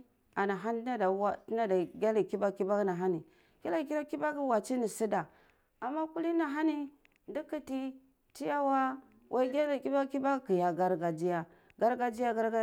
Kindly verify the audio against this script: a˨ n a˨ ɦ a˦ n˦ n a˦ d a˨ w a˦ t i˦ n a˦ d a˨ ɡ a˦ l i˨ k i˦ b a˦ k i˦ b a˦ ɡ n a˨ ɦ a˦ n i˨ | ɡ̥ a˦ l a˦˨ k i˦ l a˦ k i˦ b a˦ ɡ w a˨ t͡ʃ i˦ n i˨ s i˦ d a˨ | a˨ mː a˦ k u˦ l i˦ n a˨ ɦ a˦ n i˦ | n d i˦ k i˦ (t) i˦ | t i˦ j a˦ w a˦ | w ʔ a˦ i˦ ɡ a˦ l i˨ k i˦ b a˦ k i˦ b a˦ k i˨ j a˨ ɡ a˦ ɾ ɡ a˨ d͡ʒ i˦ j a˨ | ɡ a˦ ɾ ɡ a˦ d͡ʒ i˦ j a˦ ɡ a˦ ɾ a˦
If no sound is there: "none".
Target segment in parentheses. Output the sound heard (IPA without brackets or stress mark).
t